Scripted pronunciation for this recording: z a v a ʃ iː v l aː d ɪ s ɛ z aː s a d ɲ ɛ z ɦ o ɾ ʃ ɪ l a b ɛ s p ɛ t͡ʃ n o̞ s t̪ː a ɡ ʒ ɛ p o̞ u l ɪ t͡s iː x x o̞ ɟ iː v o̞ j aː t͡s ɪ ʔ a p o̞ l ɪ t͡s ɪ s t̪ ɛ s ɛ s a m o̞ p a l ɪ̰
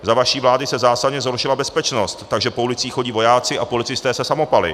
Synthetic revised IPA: z a v a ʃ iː v l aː d ɪ s ɛ z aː s a d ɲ ɛ z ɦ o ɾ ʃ ɪ l a b ɛ s p ɛ t͡ʃ n o̞ s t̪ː a ɡ ʒ ɛ p o̞ u l ɪ t͡s iː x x o̞ ɟ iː v o̞ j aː t͡s ɪ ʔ a p o̞ l ɪ t͡s ɪ s t̪ ɛː s ɛ s a m o̞ p a l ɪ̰